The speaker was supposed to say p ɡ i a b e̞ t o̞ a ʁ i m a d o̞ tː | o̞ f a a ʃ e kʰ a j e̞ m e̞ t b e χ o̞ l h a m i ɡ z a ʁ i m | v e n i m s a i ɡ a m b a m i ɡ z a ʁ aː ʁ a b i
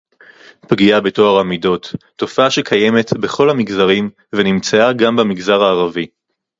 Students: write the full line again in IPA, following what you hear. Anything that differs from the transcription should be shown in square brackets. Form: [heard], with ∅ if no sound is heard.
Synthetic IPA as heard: p ɡ i a b e̞ t o̞ a ʁ [a] m [i] d o̞ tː | o̞ f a a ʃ e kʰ a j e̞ m e̞ t b e χ o̞ l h a m i ɡ z a ʁ i m | v e n i m [t͡s] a [a] ɡ a m b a m i ɡ z a ʁ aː ʁ a [v] i